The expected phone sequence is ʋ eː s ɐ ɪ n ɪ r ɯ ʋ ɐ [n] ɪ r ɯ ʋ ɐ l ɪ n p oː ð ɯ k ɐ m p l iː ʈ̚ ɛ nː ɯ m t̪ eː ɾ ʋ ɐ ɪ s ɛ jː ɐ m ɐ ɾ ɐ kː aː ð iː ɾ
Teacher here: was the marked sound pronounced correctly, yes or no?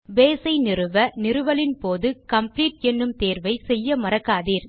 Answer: yes